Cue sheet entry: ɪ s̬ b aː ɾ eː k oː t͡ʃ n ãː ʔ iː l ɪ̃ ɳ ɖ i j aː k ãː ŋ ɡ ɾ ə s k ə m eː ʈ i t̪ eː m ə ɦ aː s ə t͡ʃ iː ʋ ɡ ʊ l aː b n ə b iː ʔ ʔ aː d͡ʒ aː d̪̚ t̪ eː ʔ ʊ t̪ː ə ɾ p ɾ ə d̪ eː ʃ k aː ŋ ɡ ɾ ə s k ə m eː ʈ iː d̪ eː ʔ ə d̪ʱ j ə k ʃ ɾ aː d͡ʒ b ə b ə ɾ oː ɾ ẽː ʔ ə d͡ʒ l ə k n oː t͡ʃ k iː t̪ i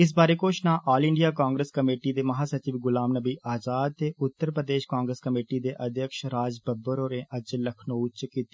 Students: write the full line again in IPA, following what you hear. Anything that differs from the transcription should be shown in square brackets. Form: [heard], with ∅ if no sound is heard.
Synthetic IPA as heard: ɪ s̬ b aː ɾ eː k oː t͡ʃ n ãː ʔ [aː] l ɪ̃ ɳ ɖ i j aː k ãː ŋ ɡ ɾ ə s k ə m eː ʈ i [d̪] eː m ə ɦ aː s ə t͡ʃ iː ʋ ɡ ʊ l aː [m] n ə b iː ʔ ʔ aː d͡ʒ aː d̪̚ t̪ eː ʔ ʊ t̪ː ə ɾ p ɾ ə d̪ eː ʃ k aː ŋ ɡ ɾ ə s k ə m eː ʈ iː d̪ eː ʔ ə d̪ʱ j ə k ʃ ɾ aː d͡ʒ b ə b ə ɾ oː ɾ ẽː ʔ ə d͡ʒ l ə [kʰ] n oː t͡ʃ k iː t̪ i